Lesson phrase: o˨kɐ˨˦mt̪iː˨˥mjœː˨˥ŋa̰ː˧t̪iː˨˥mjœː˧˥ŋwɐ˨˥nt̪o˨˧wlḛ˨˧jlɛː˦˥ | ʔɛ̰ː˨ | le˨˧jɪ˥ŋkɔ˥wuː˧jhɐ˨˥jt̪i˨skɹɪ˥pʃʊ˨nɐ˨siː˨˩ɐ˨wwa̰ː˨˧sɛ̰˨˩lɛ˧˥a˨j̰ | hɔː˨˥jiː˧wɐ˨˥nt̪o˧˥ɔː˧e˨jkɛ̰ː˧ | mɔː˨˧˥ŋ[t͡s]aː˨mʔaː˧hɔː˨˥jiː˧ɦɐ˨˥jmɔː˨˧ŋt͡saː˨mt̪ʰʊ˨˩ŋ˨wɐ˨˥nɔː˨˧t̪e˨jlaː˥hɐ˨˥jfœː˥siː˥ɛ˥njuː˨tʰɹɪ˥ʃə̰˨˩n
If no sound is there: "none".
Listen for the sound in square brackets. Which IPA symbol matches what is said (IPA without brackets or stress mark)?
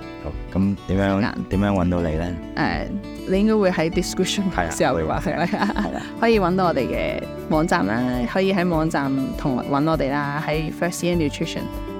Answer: t͡s